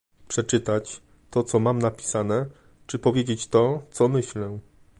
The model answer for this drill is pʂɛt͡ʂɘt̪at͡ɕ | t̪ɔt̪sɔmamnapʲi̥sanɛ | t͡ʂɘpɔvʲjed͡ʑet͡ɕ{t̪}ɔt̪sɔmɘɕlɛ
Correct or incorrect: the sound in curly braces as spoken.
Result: correct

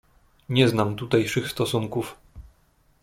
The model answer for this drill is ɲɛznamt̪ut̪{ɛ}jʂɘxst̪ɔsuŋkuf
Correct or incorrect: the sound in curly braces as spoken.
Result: incorrect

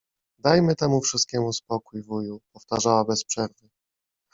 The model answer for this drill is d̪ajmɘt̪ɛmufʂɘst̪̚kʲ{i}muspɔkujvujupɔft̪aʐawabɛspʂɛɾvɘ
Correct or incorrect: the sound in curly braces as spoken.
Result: incorrect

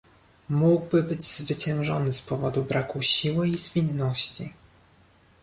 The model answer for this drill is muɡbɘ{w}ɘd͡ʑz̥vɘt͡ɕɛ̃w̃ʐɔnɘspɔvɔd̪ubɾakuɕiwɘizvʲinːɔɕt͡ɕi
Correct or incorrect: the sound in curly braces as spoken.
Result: incorrect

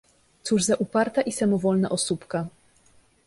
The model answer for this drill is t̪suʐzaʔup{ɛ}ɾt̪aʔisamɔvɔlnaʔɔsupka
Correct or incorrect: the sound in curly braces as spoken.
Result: incorrect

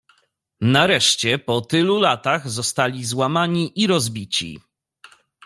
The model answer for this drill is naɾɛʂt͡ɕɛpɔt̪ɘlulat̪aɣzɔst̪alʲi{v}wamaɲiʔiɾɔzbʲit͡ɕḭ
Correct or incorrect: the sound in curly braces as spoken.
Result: incorrect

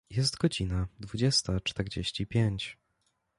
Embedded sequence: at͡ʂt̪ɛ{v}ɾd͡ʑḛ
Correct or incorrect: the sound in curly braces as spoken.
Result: incorrect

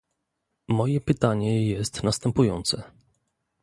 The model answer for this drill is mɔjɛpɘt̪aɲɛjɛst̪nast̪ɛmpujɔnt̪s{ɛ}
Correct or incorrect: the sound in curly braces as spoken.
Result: correct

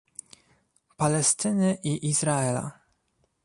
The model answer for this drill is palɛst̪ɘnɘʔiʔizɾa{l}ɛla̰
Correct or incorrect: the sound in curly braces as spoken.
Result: incorrect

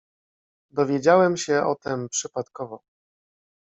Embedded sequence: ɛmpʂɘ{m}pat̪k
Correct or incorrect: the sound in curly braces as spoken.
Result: incorrect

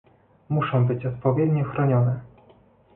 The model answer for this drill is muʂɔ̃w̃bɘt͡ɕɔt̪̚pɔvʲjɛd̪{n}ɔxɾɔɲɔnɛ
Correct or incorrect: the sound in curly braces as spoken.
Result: incorrect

